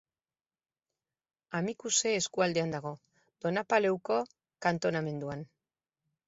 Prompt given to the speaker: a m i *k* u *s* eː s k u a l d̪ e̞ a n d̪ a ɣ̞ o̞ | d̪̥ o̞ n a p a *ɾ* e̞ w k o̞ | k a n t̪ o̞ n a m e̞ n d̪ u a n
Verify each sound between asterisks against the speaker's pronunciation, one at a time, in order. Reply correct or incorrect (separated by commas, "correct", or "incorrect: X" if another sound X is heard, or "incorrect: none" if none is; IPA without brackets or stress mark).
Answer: correct, correct, incorrect: l